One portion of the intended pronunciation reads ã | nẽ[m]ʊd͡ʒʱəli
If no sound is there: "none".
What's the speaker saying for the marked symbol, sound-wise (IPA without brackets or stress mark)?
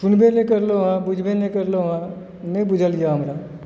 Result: b